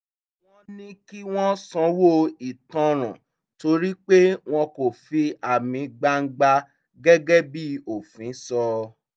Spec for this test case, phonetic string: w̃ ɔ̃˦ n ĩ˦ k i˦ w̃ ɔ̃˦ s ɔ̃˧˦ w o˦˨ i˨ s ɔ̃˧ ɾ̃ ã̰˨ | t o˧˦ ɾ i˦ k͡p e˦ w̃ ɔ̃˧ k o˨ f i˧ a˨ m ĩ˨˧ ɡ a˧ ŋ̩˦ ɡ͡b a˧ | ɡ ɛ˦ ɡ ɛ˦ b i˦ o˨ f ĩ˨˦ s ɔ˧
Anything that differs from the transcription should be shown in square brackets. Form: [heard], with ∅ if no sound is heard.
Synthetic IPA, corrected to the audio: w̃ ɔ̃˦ n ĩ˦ k i˦ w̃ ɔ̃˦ s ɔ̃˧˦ w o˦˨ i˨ [t] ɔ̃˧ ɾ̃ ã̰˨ | t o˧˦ ɾ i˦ k͡p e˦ w̃ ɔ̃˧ k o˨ f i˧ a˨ m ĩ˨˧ [ɡ͡b] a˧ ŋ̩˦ ɡ͡b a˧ | ɡ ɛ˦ ɡ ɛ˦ b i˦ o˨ f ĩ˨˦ s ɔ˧